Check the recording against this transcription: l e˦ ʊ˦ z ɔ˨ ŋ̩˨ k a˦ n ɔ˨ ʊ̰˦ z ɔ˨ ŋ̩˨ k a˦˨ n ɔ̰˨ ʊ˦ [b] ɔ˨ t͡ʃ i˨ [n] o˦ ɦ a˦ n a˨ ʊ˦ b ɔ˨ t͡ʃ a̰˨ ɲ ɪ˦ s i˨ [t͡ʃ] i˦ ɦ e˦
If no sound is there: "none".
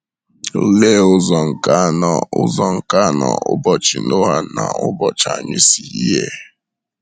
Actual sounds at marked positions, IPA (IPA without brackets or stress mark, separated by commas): b, n, none